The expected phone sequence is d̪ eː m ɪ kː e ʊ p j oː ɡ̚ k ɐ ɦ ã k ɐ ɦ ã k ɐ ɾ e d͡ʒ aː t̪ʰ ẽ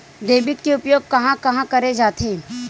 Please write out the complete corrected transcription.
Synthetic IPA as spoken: d̪ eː b ɪ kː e ʊ p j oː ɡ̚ k ɐ ɦ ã k ɐ ɦ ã k ɐ ɾ e d͡ʒ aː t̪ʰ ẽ